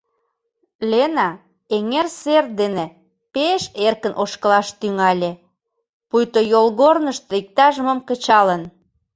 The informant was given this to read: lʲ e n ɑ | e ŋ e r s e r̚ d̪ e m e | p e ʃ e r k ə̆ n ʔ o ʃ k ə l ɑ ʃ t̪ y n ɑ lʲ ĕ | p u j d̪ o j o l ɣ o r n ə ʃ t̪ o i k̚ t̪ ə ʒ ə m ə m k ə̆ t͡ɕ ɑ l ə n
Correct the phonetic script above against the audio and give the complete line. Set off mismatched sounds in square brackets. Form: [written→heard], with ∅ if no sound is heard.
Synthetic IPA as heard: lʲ e n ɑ | e ŋ e r s e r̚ d̪ e [m→n] e | p e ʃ e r k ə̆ n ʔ o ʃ k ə l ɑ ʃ t̪ y [n→ŋ] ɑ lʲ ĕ | p u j [d̪→t̪] o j o l ɣ o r n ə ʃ t̪ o i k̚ t̪ [ə→ɑ] ʒ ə m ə m k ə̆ t͡ɕ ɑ l ə n

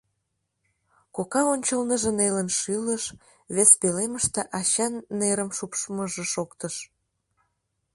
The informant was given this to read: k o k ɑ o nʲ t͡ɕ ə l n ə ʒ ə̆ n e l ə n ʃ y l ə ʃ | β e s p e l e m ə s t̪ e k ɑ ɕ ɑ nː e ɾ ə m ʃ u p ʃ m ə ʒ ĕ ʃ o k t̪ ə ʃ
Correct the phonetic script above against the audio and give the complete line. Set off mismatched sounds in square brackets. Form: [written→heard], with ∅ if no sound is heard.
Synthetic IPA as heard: k o k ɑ o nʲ t͡ɕ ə l n ə ʒ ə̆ n e l ə n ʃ y l ə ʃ | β e s p e l e m ə [s→ʃ] t̪ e [k→ʔ] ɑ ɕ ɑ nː e ɾ ə m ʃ u p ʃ m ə ʒ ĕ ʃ o k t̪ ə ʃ

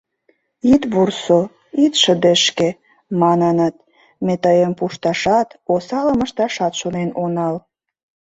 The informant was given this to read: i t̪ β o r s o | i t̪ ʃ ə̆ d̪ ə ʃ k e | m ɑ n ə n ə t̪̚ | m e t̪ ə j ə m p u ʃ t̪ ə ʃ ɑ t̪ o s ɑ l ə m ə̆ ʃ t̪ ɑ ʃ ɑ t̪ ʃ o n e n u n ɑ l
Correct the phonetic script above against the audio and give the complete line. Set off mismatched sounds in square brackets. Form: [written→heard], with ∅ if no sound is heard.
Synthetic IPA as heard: i t̪ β [o→u] r s o | i t̪ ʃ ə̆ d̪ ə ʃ k e | m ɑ n ə n ə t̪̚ | m e t̪ ə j ə m p u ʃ t̪ [ə→ɑ] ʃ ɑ t̪ o s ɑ l ə m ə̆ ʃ t̪ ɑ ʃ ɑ t̪ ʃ o n e n [u→o] n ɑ l

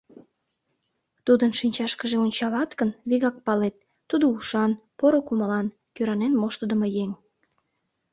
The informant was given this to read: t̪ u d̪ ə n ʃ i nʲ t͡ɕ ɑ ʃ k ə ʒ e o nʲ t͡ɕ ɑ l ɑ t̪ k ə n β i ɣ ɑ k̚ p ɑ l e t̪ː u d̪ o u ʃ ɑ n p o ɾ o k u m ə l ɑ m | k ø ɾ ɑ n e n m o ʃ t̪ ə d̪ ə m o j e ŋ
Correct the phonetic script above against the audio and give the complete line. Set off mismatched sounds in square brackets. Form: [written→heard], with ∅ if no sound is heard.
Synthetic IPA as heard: t̪ u d̪ ə n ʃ i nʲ t͡ɕ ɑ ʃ k ə ʒ e o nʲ t͡ɕ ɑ l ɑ t̪ k ə n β i ɣ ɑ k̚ p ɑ l e t̪ː u d̪ o u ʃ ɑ n p o ɾ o k u m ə l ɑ [m→n] | k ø ɾ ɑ n e n m o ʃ t̪ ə d̪ ə m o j e ŋ

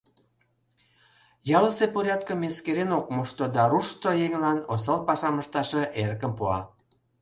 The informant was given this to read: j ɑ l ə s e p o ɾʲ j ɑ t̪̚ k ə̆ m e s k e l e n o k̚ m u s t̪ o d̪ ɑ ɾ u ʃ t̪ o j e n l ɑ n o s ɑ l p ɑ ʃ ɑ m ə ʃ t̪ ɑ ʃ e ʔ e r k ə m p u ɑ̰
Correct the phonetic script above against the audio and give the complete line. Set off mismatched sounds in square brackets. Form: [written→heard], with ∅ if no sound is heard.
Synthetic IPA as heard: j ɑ l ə s e p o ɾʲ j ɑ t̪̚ k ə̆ m e s k e [l→ɾ] e n o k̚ m u [s→ʃ] t̪ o d̪ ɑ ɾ u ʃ t̪ o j e [n→ŋ] l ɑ n o s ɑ l p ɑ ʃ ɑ m ə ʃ t̪ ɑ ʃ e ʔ e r k ə m p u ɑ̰

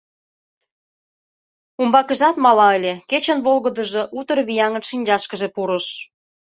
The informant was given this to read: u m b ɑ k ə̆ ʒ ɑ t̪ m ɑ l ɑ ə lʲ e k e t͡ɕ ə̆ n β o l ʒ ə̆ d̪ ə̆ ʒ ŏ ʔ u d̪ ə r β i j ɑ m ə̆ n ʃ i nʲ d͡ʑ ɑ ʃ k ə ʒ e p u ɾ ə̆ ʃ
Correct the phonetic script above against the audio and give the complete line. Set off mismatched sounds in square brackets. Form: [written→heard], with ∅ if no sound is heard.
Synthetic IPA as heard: u m b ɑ k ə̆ ʒ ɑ t̪ m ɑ l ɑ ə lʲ e k e t͡ɕ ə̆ n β o l [ʒ→ɣ] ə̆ d̪ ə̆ ʒ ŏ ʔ u [d̪→t̪] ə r β i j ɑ [m→ŋ] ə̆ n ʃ i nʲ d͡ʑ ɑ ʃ k ə ʒ e p u ɾ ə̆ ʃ

